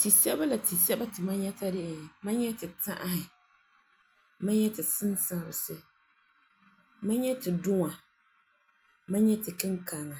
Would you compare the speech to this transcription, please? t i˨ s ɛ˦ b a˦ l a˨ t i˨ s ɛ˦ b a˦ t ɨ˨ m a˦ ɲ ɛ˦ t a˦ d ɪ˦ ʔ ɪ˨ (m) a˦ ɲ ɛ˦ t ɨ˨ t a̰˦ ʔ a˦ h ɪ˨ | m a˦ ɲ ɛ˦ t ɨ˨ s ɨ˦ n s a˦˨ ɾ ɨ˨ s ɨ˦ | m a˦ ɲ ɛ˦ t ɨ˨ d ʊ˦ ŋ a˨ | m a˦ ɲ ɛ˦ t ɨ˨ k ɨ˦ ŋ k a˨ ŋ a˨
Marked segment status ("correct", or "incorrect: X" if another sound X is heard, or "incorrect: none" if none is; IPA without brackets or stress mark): correct